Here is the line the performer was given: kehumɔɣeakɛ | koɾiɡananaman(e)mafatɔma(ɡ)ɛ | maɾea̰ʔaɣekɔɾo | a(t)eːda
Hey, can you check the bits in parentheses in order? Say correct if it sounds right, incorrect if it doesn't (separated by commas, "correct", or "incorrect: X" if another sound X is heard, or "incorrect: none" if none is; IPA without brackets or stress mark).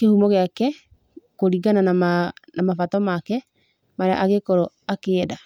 incorrect: a, incorrect: k, incorrect: k